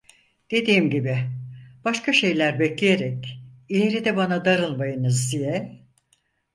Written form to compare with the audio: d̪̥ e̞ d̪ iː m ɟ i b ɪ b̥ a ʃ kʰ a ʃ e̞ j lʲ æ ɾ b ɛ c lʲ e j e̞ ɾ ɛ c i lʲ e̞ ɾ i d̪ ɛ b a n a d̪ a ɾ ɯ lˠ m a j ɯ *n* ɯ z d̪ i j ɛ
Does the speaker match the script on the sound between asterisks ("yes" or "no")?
yes